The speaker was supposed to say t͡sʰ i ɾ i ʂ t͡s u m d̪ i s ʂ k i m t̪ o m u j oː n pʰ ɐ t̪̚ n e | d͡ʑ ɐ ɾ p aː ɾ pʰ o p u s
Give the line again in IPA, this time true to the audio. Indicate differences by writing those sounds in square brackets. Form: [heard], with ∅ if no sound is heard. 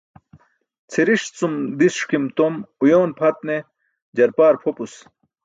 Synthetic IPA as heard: t͡sʰ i ɾ i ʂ t͡s u m d̪ i s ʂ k i m t̪ o m u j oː n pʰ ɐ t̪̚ n e | d͡ʑ ɐ ɾ p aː ɾ pʰ o p u s